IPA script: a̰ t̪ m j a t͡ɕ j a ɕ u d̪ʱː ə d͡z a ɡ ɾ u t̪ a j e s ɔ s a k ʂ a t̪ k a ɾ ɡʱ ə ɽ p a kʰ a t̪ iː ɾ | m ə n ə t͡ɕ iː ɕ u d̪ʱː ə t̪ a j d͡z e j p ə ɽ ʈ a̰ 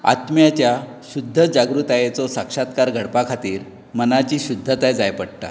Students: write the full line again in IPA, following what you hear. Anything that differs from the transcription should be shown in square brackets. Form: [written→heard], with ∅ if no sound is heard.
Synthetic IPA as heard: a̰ t̪ m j a t͡ɕ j a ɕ u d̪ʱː ə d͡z a ɡ ɾ u t̪ a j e [s→t͡s] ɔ s a k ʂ a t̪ k a ɾ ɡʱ ə ɽ p a kʰ a t̪ iː ɾ | m ə n [ə→a] t͡ɕ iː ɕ u d̪ʱː ə t̪ a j d͡z [e→a] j p ə ɽ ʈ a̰

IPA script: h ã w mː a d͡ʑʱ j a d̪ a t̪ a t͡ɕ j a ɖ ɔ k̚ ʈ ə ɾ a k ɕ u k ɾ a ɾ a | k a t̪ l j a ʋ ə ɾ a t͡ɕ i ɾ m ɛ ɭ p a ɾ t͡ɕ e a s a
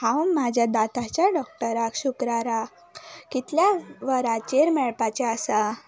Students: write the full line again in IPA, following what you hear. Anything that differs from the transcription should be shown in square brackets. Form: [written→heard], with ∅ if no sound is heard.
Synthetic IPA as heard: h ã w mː a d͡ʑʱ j a d̪ a t̪ a t͡ɕ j a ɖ ɔ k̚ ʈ ə ɾ a k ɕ u k ɾ a ɾ a | k [a→i] t̪ l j a ʋ ə ɾ a t͡ɕ [i→e] ɾ m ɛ ɭ p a [ɾ→∅] t͡ɕ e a s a

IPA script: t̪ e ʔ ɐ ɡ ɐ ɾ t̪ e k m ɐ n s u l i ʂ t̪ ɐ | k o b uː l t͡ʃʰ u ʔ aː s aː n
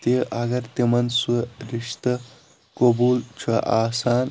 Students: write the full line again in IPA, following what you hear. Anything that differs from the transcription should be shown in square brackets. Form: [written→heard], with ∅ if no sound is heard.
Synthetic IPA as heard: t̪ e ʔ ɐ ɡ ɐ ɾ t̪ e [k→∅] m ɐ n s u [l→ɾ] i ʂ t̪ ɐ | k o b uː l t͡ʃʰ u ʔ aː s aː n

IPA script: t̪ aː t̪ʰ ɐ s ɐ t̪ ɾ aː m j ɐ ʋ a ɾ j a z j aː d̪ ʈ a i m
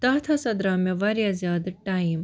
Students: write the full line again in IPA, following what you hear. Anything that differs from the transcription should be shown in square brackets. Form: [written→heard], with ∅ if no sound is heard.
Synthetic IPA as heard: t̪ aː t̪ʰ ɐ s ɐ [t̪→d̪] ɾ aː m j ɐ ʋ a ɾ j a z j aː d̪ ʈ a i m

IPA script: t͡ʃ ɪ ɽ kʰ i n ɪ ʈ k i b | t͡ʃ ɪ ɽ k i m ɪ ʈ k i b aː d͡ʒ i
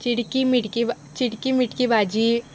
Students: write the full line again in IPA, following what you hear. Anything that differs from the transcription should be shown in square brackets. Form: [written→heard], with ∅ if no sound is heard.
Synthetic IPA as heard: t͡ʃ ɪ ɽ [kʰ→k] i [n→m] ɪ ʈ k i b | t͡ʃ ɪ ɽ k i m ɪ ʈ k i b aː d͡ʒ i

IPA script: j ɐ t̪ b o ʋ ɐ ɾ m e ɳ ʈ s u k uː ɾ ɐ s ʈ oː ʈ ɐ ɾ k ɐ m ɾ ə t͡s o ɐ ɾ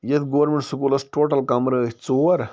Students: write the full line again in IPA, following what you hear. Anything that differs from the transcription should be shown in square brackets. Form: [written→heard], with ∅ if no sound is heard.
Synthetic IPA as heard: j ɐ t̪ [b→ɡ] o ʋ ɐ ɾ m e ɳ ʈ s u k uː [ɾ→l] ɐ s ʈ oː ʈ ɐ [ɾ→l] k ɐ m ɾ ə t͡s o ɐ ɾ

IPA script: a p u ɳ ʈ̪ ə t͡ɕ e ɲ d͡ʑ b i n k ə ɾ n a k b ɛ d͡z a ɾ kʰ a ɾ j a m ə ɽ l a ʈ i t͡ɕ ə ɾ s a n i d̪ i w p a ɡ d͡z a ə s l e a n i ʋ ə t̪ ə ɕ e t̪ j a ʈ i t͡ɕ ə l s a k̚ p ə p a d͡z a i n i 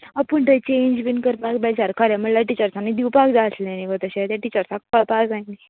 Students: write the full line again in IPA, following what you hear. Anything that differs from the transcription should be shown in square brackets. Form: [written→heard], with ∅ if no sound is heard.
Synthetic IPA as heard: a p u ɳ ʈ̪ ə t͡ɕ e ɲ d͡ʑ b i n k ə ɾ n a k b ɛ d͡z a ɾ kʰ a ɾ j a m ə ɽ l a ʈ i t͡ɕ ə ɾ s a n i d̪ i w p a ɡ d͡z a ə s l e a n i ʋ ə t̪ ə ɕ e t̪ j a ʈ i t͡ɕ ə [l→ɾ] s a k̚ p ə p a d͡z a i n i

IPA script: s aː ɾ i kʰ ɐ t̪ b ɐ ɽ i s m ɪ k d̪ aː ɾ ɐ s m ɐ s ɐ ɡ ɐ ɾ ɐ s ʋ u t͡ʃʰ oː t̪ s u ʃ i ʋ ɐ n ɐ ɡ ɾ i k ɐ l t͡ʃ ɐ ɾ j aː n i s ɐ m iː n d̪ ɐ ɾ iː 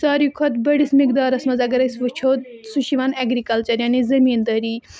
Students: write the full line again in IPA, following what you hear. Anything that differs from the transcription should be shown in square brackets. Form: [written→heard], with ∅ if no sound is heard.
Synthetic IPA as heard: s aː ɾ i kʰ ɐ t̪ b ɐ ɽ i s m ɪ k d̪ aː ɾ ɐ s m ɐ [s→z] ɐ ɡ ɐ ɾ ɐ s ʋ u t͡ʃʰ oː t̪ s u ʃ i ʋ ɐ n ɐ ɡ ɾ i k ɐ l t͡ʃ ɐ ɾ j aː n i [s→z] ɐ m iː n d̪ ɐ ɾ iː

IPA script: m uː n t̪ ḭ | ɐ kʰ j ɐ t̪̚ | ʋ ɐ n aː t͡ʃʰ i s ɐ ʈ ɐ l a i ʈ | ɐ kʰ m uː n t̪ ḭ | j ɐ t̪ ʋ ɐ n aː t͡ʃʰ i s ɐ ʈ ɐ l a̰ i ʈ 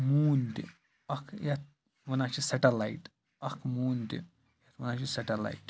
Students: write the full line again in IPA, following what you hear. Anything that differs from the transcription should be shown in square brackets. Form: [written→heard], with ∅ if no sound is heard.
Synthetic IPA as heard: m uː n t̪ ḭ | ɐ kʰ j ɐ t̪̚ | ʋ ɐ n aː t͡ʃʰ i s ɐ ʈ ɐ l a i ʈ | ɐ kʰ m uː n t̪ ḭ | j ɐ t̪ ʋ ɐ n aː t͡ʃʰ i s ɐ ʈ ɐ l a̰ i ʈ

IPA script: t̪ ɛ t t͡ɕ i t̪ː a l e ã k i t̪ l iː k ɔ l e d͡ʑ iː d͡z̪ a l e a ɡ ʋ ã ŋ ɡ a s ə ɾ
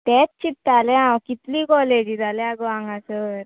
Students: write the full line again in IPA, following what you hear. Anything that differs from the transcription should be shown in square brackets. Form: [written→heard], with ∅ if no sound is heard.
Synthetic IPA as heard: t̪ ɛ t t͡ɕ i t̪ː a l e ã k i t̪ l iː k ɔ l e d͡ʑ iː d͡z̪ a l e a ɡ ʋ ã ŋ ɡ a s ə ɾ

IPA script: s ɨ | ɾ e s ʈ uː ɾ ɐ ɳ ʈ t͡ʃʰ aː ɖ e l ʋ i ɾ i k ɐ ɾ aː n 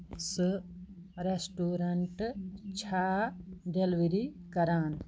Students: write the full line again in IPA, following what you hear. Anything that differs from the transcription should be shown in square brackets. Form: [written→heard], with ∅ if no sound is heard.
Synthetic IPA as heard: s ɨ | ɾ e s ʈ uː ɾ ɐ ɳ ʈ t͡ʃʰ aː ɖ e l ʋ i ɾ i k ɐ ɾ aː n

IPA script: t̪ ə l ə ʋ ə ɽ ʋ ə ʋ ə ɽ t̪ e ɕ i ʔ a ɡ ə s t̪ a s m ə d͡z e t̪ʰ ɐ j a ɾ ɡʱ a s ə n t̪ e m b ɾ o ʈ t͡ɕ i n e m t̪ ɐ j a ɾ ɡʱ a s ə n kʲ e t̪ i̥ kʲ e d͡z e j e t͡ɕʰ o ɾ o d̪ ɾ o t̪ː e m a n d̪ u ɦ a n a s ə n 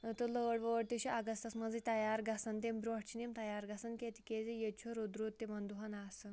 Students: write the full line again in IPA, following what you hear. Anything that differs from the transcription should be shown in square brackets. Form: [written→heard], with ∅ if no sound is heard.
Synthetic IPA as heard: t̪ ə l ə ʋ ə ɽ ʋ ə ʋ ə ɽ t̪ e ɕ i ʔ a ɡ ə s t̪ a s m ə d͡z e [t̪ʰ→t̪] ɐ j a ɾ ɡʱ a s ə n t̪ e m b ɾ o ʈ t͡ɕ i n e m t̪ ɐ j a ɾ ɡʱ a s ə n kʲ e t̪ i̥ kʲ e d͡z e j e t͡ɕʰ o ɾ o d̪ ɾ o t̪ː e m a n d̪ u ɦ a n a s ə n

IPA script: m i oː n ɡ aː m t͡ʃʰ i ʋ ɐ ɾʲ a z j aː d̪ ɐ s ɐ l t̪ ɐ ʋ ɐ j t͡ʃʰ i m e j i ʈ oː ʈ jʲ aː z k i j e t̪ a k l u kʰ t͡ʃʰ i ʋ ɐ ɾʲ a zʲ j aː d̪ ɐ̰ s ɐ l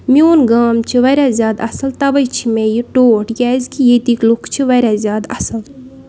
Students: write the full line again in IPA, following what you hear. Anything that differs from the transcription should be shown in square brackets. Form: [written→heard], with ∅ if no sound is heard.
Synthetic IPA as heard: m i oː n ɡ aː m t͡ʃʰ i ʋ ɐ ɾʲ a z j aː d̪ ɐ s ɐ l t̪ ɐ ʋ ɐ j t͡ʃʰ i m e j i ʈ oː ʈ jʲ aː z k i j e t̪ [a→i] k l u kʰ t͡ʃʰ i ʋ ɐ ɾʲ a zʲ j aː d̪ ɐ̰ s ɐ l

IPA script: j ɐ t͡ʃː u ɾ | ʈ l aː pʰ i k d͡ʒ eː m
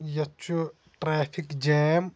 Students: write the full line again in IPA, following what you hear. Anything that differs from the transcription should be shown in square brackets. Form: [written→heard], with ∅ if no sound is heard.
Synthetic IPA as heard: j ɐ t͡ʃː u [ɾ→∅] | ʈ [l→ɾ] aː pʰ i k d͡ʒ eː m

